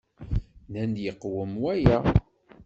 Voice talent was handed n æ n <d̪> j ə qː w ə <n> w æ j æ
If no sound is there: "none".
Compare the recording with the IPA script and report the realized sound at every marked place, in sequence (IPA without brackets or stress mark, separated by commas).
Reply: d̪, m